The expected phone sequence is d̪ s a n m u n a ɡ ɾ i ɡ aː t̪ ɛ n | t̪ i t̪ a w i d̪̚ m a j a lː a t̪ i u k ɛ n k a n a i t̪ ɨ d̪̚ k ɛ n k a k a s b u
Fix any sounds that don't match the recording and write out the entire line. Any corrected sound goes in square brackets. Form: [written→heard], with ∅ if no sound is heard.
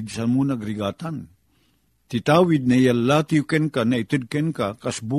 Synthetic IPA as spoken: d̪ s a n m u n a ɡ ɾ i ɡ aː t̪ [ɛ→a] n | t̪ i t̪ a w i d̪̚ [m→n] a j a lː a t̪ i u k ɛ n k a n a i t̪ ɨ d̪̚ k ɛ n k a k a s b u